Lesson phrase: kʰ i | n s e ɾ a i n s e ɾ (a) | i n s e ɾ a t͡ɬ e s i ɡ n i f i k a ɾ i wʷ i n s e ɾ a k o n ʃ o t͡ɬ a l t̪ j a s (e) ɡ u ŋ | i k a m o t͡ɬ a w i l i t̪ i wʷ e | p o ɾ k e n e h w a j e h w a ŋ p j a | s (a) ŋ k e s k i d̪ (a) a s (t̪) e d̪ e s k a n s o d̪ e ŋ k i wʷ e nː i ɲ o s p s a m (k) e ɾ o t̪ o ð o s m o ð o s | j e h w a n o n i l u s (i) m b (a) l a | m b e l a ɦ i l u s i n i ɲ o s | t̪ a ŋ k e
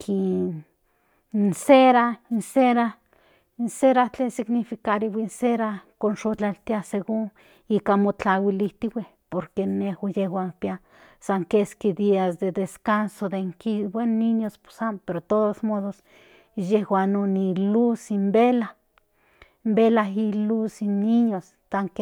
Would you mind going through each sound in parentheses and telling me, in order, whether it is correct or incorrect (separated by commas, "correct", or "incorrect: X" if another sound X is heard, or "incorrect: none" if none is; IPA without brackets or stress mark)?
correct, correct, correct, incorrect: i, incorrect: d̪, incorrect: p, correct, incorrect: e